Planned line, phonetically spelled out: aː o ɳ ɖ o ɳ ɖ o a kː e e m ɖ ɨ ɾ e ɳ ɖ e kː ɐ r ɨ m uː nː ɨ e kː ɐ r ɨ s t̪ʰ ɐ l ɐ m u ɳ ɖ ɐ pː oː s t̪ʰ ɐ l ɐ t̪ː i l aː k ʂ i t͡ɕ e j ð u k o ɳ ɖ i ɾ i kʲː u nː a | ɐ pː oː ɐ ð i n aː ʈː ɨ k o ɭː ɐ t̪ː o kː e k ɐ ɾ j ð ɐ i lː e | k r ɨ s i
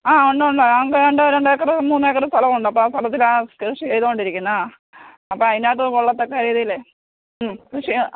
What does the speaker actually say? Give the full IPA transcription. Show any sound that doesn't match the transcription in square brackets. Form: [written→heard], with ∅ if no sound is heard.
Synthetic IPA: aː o ɳ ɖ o ɳ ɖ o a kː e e [m→ɳ] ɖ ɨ ɾ e ɳ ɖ e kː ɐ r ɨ m uː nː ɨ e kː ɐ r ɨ s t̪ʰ ɐ l ɐ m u ɳ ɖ ɐ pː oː s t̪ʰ ɐ l ɐ t̪ː i l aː k ʂ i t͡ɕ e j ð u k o ɳ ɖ i ɾ i kʲː u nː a | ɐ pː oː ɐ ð i n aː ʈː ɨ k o ɭː ɐ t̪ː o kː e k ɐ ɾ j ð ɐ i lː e | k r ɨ [s→ʂ] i